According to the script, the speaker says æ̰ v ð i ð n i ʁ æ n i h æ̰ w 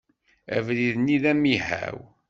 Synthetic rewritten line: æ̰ v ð i ð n i ð æ m i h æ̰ w